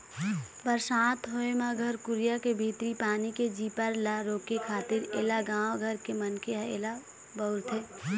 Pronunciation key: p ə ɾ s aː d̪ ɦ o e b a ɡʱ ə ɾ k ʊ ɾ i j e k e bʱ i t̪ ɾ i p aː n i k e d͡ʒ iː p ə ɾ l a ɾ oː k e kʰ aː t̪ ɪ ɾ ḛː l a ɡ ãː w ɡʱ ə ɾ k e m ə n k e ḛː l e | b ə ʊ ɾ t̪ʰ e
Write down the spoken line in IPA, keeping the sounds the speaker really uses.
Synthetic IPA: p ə ɾ s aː t̪ ɦ o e m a ɡʱ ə ɾ k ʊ ɾ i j a k e bʱ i t̪ ɾ i p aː n i k e d͡ʒ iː p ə ɾ l a ɾ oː k e kʰ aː t̪ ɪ ɾ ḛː l a ɡ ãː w ɡʱ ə ɾ k e m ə n k e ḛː l a | b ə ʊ ɾ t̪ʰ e